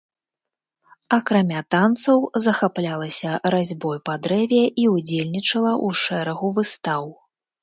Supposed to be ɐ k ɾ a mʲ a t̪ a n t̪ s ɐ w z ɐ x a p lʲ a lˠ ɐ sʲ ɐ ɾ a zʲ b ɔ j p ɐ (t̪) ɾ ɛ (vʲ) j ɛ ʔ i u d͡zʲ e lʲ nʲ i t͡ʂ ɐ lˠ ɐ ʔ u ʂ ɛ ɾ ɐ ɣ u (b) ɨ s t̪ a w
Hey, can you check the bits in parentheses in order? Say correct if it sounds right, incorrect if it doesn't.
incorrect: d̪, correct, incorrect: v

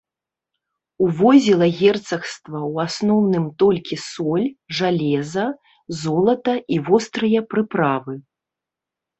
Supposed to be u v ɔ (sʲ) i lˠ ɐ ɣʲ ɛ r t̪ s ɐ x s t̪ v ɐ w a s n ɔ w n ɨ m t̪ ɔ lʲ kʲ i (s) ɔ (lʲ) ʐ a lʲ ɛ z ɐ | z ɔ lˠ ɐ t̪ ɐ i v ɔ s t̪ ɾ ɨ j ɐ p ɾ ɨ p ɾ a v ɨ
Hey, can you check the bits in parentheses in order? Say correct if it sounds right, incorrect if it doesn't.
incorrect: zʲ, correct, correct

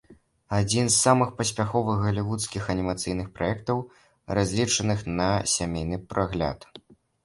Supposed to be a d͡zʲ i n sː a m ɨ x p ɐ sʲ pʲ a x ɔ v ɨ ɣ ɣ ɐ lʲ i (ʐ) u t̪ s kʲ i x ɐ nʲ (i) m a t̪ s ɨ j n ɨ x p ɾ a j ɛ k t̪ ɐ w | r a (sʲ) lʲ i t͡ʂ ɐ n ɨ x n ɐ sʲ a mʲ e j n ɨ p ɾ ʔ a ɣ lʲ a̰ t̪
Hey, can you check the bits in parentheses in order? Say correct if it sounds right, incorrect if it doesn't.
incorrect: v, correct, incorrect: zʲ

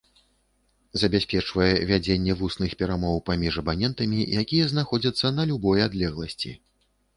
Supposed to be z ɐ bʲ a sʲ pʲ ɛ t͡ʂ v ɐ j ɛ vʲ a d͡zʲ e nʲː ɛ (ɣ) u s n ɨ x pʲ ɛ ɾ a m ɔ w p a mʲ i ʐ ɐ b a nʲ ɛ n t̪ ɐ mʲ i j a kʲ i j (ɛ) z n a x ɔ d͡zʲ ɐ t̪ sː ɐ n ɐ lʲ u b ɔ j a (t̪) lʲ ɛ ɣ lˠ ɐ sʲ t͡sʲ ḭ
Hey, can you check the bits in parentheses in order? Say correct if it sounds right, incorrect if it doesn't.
incorrect: v, correct, incorrect: d̪

